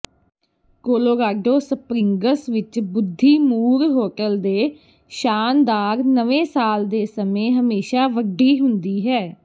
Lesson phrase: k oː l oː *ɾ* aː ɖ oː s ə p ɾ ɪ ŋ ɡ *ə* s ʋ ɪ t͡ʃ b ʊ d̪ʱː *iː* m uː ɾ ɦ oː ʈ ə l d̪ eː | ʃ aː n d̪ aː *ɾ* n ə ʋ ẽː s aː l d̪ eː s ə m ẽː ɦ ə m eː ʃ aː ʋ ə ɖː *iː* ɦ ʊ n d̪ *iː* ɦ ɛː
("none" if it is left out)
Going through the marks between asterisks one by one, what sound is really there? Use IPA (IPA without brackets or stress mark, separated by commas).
ɾ, ə, iː, ɾ, iː, iː